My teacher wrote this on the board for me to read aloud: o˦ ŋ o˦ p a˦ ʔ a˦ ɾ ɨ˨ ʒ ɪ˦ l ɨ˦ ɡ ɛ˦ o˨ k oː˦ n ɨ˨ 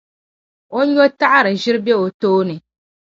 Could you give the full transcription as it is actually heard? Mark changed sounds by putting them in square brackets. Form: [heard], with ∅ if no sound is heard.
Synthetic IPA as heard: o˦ [ɲ] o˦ [t] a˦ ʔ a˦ ɾ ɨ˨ ʒ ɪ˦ [ɾ] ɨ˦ [b] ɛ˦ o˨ [t] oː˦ n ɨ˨